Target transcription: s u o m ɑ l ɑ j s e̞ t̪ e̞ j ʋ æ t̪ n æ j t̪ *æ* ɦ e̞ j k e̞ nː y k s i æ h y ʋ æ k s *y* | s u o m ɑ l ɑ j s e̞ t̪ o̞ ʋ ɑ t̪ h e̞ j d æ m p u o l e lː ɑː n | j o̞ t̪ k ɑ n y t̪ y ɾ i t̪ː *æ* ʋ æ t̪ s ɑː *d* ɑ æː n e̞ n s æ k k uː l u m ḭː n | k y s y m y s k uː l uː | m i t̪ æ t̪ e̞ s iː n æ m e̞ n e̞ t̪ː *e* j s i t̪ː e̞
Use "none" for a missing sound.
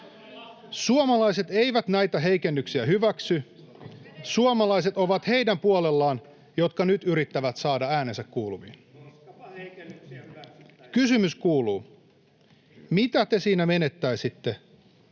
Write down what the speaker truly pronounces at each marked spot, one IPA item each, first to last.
æ, y, æ, d, æ

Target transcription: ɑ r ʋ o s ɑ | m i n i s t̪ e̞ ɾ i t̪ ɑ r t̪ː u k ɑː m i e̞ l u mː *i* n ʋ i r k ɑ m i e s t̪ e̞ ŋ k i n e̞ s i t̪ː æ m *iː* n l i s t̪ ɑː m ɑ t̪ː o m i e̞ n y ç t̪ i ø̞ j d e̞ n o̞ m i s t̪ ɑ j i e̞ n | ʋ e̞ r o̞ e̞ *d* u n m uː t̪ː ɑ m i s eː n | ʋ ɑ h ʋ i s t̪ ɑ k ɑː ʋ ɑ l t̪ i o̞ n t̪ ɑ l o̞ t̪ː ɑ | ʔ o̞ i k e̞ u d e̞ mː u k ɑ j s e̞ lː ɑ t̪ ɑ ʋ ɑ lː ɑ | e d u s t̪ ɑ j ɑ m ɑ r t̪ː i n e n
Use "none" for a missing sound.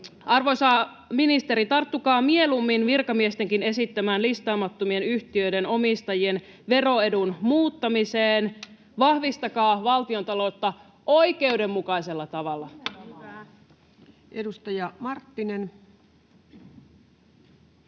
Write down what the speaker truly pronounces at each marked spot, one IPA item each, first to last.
i, æː, d

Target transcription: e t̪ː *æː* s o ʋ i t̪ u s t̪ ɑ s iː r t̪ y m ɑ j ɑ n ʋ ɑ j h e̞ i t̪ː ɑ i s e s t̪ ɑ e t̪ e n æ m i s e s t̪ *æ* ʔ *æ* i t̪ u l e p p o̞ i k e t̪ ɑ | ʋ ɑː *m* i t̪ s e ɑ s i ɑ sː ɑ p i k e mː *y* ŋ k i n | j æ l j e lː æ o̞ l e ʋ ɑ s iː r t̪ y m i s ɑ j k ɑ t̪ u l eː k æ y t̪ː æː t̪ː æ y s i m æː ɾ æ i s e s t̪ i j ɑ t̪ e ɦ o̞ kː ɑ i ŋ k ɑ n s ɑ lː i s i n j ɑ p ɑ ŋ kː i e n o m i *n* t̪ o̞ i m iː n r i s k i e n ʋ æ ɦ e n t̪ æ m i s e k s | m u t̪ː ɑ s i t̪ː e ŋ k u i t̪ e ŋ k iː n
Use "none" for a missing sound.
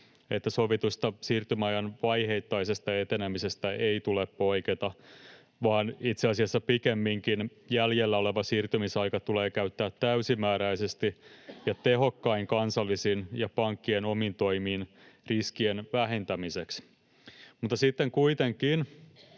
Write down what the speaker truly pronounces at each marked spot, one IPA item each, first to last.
æ, æ, e, n, i, n

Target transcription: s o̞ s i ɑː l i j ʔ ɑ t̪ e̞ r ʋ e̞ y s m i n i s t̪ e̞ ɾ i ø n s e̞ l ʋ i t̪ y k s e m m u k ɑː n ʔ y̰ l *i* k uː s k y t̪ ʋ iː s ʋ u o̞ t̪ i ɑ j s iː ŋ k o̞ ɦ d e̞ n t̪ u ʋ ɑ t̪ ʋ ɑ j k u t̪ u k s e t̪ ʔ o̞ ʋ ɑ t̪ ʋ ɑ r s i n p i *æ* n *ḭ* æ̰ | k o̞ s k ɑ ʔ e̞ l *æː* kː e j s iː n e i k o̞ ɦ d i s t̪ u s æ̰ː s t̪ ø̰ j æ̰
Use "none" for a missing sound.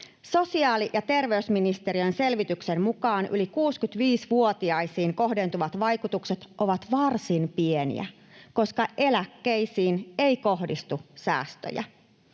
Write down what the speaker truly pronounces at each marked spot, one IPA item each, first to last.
i, e, ḭ, æ

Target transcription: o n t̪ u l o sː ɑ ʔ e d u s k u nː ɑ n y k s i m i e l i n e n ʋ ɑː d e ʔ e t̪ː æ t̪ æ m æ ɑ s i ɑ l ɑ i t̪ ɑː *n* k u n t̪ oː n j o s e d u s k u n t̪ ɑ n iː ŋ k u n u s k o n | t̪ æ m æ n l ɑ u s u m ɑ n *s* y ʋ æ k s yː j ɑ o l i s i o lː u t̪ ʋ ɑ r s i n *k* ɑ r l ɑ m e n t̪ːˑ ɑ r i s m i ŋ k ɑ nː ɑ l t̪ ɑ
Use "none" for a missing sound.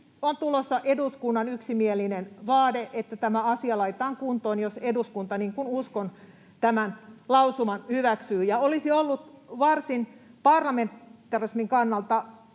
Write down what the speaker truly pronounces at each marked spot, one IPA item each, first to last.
ŋ, h, p

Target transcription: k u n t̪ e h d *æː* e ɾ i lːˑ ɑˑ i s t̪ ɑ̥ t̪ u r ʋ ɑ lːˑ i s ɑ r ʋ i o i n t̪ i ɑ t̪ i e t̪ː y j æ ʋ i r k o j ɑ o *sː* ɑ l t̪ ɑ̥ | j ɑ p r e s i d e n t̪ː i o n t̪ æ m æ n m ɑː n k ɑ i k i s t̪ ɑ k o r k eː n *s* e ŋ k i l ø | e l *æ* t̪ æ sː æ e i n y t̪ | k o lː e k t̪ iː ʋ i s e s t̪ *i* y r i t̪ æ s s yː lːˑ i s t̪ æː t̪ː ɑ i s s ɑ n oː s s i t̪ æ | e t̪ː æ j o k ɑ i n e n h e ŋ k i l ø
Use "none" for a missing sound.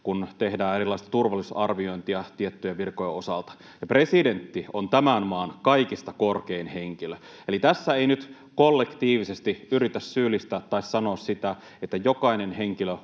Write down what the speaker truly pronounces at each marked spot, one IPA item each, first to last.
æː, s, h, i, i

